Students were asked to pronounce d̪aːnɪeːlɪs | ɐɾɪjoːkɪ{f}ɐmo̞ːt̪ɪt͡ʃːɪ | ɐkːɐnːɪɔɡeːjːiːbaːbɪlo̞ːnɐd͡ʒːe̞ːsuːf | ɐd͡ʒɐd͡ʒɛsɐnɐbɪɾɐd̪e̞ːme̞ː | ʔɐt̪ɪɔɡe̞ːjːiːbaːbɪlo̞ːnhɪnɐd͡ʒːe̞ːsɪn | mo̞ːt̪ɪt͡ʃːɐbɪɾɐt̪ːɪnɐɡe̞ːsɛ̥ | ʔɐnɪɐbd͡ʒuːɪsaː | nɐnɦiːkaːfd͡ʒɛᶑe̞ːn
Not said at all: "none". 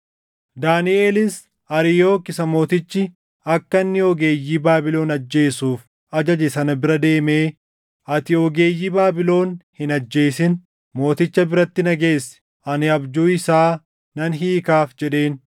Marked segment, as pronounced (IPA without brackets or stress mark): s